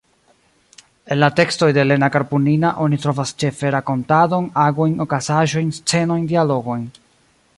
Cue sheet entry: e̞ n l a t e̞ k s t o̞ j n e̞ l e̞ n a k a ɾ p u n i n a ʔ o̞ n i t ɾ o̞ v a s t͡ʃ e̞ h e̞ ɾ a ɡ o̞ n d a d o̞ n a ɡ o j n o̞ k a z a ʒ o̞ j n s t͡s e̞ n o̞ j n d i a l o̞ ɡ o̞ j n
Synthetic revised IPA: e̞ n l a t e̞ k s t o̞ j d e̞ l e̞ n a k a ɾ p u n i n a ʔ o̞ n i t ɾ o̞ v a s t͡ʃ e̞ f e̞ ɾ a k o̞ n t a d o̞ n a ɡ o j n o̞ k a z a ʒ o̞ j n s t͡s e̞ n o̞ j n d i a l o̞ ɡ o̞ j n